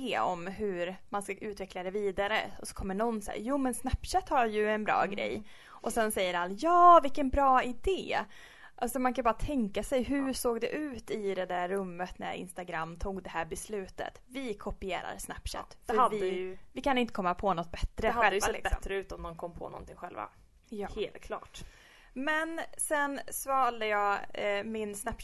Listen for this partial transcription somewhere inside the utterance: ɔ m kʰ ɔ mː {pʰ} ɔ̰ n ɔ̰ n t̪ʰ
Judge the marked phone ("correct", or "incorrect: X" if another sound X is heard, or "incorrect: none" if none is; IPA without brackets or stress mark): correct